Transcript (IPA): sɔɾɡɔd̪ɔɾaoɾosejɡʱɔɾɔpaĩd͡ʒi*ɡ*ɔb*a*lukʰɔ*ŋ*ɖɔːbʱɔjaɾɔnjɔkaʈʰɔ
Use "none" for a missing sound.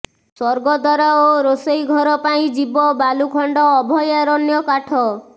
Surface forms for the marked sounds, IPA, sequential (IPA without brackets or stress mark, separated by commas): b, a, ɳ